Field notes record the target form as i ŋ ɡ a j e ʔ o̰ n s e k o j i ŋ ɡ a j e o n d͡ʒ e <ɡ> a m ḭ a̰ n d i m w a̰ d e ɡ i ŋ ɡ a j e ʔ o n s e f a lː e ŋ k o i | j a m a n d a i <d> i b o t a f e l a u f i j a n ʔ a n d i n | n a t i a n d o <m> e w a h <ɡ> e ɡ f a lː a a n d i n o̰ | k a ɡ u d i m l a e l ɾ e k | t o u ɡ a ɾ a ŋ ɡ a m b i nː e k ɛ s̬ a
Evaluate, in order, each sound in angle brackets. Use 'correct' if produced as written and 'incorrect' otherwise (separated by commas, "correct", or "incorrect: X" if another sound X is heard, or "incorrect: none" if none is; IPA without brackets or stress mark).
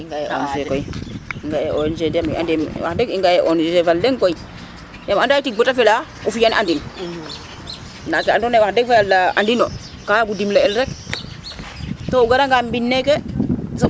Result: incorrect: d, incorrect: t, incorrect: n, incorrect: d